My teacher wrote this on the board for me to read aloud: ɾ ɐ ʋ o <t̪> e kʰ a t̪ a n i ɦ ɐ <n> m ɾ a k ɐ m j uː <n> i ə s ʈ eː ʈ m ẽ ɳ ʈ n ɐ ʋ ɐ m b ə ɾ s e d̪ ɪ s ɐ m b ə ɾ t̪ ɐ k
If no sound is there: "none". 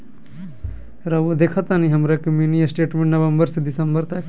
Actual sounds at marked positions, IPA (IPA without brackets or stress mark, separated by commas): d̪, none, n